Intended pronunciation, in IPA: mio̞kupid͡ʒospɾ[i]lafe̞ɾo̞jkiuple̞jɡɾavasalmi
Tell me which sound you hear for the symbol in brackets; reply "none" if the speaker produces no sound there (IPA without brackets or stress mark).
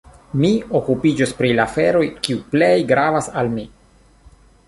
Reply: i